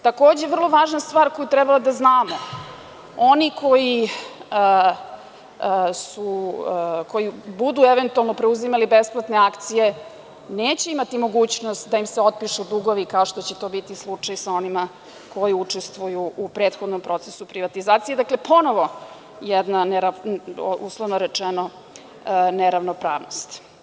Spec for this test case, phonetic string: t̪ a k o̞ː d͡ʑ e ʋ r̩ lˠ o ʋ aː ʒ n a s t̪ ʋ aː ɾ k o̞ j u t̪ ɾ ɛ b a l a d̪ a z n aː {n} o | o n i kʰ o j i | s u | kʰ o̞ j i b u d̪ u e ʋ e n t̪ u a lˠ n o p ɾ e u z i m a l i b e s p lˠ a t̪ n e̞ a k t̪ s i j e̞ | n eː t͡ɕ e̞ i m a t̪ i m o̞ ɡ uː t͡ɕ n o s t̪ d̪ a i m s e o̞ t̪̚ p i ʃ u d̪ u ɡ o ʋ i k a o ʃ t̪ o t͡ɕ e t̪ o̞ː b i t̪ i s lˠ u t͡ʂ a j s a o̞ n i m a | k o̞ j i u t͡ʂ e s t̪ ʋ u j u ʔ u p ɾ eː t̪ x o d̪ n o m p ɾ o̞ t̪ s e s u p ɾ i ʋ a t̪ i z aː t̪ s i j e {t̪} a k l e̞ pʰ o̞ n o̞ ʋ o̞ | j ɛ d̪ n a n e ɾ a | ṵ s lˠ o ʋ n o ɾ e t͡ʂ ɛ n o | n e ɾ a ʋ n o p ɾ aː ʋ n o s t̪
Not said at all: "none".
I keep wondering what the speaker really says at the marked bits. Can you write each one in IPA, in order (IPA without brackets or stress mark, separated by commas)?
m, d̪